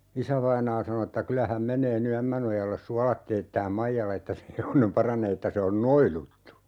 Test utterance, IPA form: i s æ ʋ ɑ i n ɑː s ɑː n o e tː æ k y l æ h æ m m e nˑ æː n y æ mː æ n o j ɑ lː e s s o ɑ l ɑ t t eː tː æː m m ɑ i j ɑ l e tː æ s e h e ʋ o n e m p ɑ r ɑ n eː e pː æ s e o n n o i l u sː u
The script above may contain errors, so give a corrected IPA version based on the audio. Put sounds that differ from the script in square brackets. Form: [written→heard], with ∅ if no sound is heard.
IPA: i s æ ʋ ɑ i n ɑː s [ɑː→ɑ] n o e tː æ k y l æ h æ m m e nˑ [æː→eː] n y æ mː æ n o j ɑ lː e s s [o→u] ɑ l ɑ t t eː tː æː m m ɑ i j ɑ l e tː æ s e h e ʋ o n e m p ɑ r ɑ n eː e [pː→tː] æ s e o n n o i l u [sː→tː] u